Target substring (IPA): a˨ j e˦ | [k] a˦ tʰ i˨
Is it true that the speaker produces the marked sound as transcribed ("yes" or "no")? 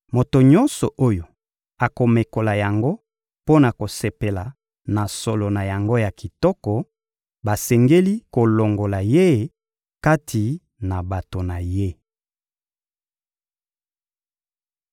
yes